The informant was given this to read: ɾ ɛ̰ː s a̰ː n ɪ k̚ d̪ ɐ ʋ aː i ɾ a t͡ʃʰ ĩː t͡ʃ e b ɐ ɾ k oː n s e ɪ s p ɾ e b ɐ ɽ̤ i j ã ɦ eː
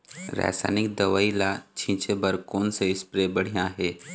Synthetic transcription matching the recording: ɾ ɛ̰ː s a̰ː n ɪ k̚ d̪ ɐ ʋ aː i l a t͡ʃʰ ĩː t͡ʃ e b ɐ ɾ k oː n s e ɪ s p ɾ e b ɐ ɽ̤ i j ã ɦ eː